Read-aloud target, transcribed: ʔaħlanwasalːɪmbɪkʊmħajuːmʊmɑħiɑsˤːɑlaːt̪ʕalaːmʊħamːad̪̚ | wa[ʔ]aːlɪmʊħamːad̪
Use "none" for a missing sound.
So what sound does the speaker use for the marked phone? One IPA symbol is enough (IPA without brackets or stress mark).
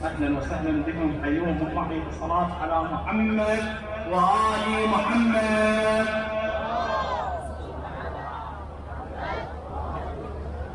ʔ